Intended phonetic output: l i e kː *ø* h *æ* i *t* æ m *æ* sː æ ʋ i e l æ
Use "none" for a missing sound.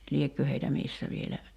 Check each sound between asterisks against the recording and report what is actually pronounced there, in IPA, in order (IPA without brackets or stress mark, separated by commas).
ø, e, t, i